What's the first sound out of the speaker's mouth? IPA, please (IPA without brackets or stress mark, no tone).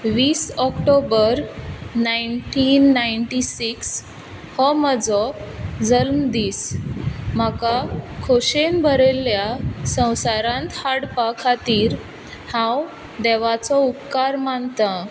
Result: ʋ